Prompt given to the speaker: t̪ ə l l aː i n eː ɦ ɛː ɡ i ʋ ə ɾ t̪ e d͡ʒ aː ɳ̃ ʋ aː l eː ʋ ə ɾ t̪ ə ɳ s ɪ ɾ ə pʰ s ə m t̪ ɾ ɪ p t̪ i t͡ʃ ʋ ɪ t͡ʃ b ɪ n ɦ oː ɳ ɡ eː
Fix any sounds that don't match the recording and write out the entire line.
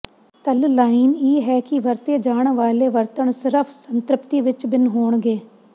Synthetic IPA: t̪ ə l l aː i n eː ɦ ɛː k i ʋ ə ɾ t̪ e d͡ʒ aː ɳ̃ ʋ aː l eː ʋ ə ɾ t̪ ə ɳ s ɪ ɾ ə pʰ s ə n t̪ ɾ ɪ p t̪ i ʋ ɪ t͡ʃ b ɪ n ɦ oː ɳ ɡ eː